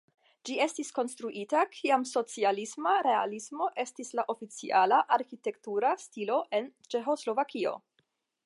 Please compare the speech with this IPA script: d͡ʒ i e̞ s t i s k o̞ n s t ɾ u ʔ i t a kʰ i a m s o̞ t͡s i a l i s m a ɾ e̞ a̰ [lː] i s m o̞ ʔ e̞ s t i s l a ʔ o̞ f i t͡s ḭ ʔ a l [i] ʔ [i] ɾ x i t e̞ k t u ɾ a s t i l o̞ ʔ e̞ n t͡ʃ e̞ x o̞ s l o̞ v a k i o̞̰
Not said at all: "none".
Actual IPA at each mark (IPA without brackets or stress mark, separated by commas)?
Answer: l, a, a